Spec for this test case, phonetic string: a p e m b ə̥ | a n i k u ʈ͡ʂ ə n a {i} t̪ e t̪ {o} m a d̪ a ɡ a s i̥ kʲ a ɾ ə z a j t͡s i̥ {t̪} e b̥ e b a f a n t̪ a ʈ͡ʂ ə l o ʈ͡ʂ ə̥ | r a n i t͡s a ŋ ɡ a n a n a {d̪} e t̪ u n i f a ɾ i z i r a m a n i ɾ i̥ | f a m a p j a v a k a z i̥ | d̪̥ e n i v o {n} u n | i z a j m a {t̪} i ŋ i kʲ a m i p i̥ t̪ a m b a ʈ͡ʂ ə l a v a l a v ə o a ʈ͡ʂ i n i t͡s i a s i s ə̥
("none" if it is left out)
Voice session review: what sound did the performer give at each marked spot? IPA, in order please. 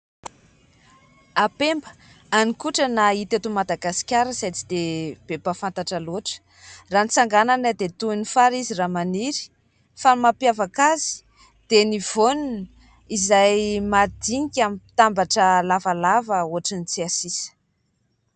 i, u, d̪, d̪, n, d̪

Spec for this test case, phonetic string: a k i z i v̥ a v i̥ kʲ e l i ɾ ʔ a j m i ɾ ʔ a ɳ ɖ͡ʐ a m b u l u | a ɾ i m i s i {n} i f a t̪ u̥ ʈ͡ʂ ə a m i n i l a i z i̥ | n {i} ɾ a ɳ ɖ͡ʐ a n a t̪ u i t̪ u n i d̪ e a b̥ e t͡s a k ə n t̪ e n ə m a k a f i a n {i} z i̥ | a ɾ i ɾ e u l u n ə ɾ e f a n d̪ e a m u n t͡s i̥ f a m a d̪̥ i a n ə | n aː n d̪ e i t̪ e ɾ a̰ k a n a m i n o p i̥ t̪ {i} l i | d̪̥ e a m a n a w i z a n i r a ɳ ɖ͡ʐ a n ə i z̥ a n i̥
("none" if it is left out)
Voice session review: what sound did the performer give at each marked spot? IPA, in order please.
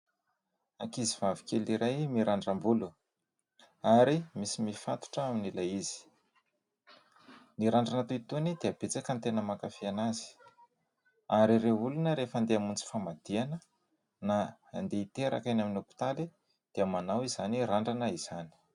m, i, a, a

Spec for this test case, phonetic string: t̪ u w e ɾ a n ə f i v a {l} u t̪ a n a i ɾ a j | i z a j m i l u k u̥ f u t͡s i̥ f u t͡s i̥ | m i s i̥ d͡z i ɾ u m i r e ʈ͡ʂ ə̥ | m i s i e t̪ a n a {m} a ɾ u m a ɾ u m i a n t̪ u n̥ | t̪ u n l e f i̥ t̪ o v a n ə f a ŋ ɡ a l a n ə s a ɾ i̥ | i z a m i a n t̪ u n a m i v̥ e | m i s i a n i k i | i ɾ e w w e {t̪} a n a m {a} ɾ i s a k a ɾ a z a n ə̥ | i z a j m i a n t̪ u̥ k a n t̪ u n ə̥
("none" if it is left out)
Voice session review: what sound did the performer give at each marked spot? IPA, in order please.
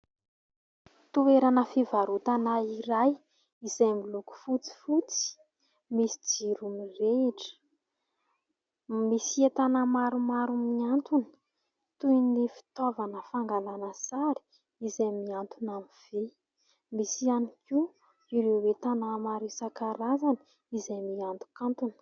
ɾ, m, t̪, a

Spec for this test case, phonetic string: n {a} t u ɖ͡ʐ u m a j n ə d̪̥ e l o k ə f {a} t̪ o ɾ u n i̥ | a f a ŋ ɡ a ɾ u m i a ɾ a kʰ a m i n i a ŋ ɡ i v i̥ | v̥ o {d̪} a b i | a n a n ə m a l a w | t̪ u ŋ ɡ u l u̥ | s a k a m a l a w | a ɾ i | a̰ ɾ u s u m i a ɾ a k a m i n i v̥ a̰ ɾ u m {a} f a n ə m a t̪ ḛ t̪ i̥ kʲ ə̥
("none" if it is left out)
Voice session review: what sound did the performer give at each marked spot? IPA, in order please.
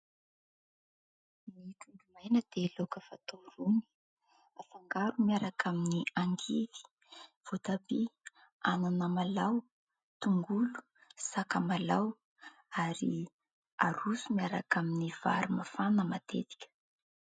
i, a, t̪, a

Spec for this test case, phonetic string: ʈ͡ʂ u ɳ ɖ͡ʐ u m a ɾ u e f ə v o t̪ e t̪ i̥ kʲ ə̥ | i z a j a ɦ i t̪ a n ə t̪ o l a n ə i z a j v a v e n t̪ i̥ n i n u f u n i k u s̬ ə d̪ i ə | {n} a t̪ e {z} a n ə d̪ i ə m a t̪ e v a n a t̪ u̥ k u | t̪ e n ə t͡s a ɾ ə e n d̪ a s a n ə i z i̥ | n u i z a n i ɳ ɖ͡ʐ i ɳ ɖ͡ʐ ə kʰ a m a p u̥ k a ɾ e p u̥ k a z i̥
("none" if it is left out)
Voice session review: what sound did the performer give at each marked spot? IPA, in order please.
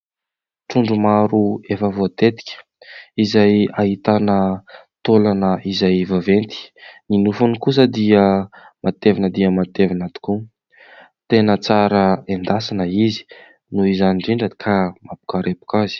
m, v

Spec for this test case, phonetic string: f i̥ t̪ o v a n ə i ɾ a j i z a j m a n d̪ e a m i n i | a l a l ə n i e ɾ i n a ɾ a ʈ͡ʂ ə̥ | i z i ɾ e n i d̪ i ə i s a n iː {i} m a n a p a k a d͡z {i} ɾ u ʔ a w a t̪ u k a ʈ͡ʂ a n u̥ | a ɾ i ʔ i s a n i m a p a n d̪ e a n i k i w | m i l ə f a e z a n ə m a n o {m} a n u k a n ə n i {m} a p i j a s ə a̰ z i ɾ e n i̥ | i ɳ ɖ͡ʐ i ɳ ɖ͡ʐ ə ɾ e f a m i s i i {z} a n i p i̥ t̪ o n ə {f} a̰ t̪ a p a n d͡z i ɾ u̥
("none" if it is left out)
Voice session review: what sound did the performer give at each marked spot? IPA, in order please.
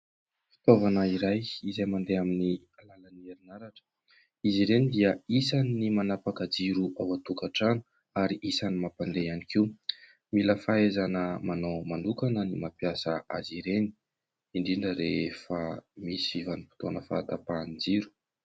i, i, m, m, v, f

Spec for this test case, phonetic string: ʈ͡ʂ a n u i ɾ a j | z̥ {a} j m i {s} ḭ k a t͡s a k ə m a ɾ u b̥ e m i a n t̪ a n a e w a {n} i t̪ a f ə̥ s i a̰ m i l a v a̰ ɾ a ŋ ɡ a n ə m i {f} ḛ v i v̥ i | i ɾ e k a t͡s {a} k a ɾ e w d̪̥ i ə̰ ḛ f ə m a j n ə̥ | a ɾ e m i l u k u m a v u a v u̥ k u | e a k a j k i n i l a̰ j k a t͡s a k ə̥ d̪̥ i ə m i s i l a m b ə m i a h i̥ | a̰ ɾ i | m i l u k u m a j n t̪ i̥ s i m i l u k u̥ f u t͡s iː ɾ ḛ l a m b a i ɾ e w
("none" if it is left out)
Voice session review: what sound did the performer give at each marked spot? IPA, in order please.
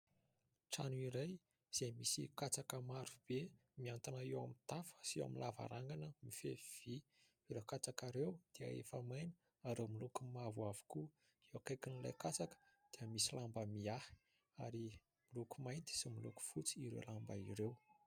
e, s, m, f, a

